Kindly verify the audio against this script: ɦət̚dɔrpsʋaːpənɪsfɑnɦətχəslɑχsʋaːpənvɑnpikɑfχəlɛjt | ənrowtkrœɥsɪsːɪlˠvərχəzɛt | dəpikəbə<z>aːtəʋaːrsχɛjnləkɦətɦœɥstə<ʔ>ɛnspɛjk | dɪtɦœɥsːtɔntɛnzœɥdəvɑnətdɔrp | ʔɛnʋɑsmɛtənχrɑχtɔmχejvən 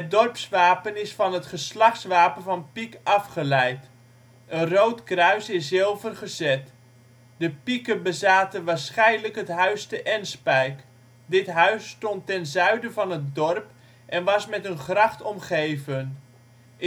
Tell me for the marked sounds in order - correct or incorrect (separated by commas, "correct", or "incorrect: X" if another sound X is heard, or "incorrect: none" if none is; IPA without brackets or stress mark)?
correct, correct